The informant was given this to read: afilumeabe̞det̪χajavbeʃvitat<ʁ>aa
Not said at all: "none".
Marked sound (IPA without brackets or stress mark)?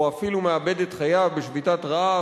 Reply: ʁ